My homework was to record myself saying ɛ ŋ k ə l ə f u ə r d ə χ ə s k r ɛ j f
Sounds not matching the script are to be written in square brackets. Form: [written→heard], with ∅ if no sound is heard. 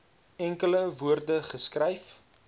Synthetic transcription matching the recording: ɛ ŋ k ə l ə [f→v] u ə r d ə χ ə s k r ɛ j f